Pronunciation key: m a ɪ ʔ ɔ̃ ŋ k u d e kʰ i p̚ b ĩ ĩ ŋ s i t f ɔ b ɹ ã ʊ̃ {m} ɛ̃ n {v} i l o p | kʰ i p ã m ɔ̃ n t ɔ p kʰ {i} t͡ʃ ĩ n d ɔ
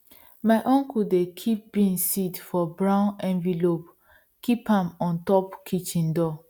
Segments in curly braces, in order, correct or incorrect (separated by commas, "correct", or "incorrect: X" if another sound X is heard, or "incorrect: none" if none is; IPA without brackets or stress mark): incorrect: n, correct, correct